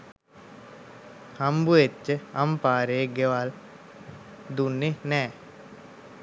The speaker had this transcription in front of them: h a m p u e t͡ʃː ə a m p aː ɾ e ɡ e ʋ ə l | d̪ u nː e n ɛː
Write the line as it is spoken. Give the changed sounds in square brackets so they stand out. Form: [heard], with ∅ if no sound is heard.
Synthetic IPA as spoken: h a m [b] u e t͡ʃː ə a m p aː ɾ e ɡ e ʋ [a] l | d̪ u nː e n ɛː

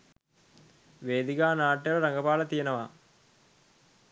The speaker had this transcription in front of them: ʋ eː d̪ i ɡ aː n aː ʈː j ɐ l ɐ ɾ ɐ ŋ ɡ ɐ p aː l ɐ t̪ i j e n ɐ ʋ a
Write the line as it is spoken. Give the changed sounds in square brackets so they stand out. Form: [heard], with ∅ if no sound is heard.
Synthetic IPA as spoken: ʋ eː d̪ i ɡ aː n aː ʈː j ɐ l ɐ ɾ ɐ ŋ ɡ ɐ p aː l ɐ t̪ i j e n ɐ ʋ a

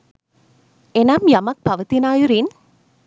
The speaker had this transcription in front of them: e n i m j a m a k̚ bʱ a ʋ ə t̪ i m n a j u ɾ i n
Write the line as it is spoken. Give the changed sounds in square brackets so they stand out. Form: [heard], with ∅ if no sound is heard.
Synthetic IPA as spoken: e n [a] m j a m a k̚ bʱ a ʋ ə t̪ i [∅] n a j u ɾ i n

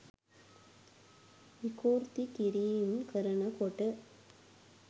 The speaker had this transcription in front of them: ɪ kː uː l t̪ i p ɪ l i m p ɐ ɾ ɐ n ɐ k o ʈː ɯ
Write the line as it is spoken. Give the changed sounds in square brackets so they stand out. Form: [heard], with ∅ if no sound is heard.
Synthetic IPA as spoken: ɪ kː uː [ɾ] t̪ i [k] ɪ [ɾ] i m [k] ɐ ɾ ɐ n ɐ k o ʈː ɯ

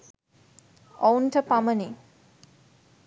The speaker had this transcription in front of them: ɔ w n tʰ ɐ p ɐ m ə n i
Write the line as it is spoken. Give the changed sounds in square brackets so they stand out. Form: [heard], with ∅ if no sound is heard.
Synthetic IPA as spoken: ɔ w n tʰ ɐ p [a] m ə n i

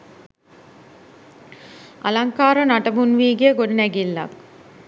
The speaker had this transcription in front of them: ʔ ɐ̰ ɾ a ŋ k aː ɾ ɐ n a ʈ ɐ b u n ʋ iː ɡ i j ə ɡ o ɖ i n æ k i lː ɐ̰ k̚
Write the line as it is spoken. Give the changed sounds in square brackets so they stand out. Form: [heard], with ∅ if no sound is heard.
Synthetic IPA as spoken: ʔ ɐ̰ [l] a ŋ k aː ɾ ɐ n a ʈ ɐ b u n ʋ iː ɡ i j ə ɡ o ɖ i n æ [ɡ] i lː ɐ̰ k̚

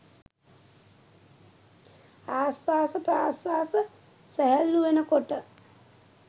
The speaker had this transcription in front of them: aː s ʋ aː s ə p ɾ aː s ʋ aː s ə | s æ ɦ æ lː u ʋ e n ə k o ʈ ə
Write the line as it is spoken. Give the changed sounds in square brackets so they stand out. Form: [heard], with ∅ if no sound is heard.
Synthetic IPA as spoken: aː s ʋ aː s ə p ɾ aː s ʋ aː s ə | s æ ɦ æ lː u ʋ e n ə k o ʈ ə

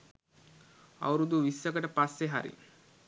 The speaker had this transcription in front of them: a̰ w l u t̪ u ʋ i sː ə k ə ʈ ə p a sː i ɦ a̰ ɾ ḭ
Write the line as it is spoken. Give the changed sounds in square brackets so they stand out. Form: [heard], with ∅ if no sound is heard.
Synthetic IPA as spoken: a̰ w [ɾ] u [d̪] u ʋ i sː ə k ə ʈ ə p a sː [e] ɦ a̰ ɾ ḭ

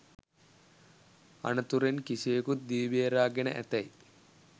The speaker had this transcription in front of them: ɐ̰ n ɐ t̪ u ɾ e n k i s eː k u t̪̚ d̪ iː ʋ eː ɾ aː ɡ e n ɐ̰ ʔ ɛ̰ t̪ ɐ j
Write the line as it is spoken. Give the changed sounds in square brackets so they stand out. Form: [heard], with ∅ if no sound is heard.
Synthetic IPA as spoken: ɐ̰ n ɐ t̪ u ɾ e n k i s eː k u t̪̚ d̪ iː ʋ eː ɾ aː ɡ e n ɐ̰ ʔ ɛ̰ t̪ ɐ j

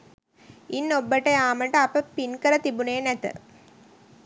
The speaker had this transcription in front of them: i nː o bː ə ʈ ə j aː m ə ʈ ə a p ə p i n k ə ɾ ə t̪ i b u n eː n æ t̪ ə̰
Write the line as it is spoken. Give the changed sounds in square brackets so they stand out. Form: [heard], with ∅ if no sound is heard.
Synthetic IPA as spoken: i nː o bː ə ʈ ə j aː m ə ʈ ə a p ə p i n k ə ɾ ə t̪ i b u n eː n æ t̪ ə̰

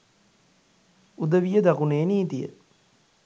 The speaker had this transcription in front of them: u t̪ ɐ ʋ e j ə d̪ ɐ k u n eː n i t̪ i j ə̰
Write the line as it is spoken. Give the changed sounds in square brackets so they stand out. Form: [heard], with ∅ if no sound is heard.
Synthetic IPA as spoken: u [d̪] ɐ ʋ [i] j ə d̪ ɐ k u n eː n [iː] t̪ i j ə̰

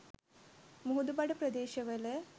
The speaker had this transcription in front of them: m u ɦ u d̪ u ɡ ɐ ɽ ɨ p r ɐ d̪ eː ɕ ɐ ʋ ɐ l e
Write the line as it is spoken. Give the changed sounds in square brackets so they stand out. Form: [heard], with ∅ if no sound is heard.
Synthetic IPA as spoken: m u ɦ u d̪ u [b] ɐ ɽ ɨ p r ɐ d̪ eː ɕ ɐ ʋ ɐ l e

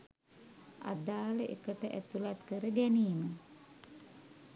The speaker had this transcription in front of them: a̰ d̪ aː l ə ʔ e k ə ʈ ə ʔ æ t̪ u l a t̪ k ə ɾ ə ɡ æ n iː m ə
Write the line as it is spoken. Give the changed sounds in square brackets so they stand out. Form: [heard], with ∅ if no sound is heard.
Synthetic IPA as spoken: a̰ d̪ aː l ə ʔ e k ə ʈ ə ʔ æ t̪ u l a t̪ k ə ɾ ə ɡ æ n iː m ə

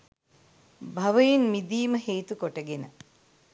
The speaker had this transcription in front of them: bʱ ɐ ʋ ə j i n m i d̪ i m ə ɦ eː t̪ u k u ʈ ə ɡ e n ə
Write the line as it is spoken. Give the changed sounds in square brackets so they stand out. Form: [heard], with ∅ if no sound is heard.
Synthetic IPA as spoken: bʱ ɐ ʋ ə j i n m i d̪ [iː] m ə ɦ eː t̪ u k [o] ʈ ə ɡ e n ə

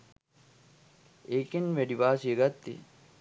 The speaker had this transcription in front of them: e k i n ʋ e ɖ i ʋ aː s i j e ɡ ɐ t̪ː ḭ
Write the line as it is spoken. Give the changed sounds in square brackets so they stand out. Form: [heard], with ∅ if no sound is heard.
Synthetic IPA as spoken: e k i n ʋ e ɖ i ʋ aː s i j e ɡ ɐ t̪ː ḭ

